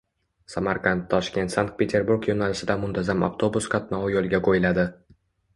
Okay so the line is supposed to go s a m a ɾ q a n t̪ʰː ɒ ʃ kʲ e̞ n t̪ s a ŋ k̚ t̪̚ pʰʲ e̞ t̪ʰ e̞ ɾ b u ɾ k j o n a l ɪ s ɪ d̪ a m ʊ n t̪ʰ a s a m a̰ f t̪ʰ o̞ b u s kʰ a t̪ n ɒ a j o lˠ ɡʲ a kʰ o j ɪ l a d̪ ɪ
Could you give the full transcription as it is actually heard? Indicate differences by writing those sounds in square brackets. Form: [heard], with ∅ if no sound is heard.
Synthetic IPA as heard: s a m a ɾ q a n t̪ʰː ɒ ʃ kʲ e̞ n t̪ s a ŋ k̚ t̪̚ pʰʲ e̞ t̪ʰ e̞ ɾ b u ɾ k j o n a l ɪ s ɪ d̪ a m ʊ n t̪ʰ a [z] a m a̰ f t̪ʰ o̞ b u s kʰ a t̪ n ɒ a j o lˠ ɡʲ a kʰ o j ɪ l a d̪ ɪ